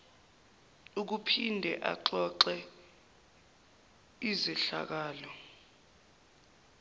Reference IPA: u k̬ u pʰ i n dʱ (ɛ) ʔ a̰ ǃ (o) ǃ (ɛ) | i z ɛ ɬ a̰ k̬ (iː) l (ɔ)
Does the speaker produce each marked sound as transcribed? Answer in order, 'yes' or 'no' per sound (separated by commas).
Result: yes, no, yes, no, yes